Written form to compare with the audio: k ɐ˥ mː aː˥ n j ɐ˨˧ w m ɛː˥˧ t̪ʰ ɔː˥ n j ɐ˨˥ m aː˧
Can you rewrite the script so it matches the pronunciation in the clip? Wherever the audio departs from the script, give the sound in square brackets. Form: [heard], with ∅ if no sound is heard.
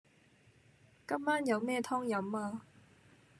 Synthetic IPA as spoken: k ɐ˥ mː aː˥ n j ɐ˨˧ w m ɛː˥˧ t̪ʰ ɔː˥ [ŋ] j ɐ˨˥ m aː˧